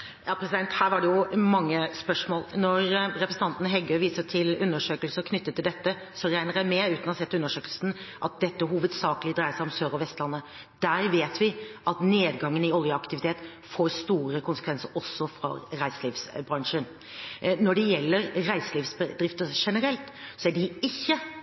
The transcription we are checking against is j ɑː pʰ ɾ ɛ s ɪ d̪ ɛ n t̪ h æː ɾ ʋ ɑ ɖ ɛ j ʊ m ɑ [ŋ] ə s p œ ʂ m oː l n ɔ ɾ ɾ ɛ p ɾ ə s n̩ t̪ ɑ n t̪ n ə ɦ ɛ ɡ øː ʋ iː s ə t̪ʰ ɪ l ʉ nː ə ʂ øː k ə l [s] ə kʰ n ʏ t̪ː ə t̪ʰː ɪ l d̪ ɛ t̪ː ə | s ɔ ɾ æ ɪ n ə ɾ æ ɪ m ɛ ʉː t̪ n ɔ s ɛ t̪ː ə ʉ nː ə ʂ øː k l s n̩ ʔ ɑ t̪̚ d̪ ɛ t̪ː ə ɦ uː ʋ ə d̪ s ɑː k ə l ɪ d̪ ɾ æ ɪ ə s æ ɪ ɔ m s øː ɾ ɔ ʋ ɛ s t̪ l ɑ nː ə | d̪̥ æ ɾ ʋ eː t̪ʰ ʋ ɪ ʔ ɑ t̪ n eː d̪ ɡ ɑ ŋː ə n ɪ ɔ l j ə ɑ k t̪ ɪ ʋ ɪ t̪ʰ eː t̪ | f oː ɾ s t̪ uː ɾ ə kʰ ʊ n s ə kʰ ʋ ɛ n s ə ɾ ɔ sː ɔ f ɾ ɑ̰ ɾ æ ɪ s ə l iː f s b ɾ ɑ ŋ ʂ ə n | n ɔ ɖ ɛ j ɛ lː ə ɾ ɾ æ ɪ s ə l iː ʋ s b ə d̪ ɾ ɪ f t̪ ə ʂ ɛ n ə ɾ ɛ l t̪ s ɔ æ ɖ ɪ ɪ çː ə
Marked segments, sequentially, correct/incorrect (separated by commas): incorrect, correct